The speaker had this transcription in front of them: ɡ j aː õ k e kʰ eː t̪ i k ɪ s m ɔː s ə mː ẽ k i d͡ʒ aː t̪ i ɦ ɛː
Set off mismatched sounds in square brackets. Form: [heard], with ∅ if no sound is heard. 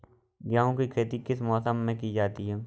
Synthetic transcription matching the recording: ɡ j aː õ k [i] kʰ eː t̪ i k ɪ s m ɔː s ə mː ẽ k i d͡ʒ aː t̪ i ɦ ɛː